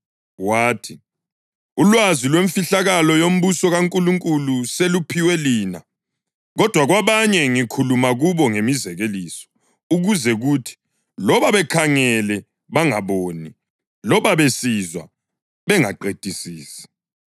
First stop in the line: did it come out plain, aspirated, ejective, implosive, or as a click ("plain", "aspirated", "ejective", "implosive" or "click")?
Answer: aspirated